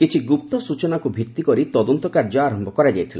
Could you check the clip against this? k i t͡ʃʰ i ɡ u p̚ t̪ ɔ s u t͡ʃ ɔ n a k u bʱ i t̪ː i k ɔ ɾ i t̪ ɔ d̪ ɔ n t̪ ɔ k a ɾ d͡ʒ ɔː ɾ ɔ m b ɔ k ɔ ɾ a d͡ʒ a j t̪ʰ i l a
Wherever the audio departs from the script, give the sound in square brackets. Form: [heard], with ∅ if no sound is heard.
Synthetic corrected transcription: k i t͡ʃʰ i ɡ u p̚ t̪ ɔ s u t͡ʃ ɔ n a k u bʱ i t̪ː i k ɔ ɾ i t̪ ɔ d̪ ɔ n t̪ ɔ k a ɾ d͡ʒ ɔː ɾ ɔ m b ɔ k ɔ ɾ a d͡ʒ a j t̪ʰ i l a